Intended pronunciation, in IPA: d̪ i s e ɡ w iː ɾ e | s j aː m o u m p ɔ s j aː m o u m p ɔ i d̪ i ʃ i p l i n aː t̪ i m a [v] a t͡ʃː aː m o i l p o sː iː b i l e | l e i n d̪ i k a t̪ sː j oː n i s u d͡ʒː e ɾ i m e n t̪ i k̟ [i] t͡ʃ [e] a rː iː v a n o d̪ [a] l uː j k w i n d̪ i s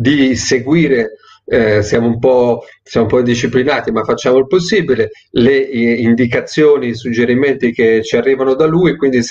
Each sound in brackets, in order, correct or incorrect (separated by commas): incorrect, incorrect, incorrect, correct